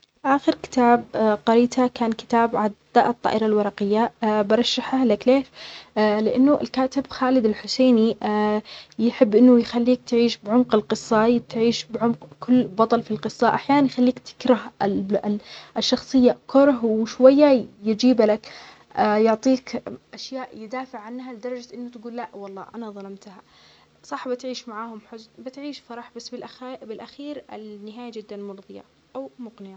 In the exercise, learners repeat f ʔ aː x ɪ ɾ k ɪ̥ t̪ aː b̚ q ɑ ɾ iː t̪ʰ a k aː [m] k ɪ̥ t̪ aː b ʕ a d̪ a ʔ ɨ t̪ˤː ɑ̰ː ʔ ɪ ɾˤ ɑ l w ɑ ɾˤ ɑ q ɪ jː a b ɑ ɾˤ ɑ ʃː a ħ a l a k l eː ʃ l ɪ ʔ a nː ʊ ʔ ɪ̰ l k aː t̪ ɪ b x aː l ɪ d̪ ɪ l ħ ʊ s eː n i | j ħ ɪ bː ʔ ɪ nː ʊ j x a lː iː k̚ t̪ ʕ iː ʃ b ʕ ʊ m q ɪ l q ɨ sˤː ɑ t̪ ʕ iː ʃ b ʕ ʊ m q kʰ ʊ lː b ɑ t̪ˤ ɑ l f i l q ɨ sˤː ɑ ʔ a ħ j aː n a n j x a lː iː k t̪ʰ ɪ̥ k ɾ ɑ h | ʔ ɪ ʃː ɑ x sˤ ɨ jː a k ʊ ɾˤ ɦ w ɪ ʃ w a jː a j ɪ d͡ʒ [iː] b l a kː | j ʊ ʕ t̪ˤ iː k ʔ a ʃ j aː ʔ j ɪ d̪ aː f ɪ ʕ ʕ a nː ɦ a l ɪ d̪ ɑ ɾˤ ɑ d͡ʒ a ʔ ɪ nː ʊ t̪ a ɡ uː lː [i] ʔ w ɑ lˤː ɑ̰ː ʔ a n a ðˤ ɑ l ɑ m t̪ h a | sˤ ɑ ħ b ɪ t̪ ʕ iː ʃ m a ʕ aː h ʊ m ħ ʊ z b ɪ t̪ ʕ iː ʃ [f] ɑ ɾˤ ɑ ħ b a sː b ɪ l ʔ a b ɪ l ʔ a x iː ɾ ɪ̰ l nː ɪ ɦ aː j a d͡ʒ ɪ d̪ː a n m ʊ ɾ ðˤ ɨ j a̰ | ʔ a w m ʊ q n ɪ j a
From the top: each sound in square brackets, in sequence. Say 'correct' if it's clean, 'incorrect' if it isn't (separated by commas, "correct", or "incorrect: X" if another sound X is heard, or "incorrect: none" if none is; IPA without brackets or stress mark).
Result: incorrect: n, correct, incorrect: a, correct